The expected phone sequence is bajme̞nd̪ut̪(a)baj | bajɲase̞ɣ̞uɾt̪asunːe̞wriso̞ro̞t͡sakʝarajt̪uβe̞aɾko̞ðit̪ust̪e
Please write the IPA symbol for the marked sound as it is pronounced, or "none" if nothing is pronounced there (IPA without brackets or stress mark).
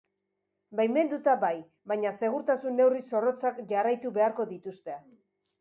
a